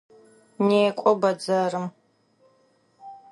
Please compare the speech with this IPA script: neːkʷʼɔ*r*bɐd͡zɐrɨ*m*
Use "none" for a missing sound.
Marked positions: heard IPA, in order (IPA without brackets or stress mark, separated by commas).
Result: none, m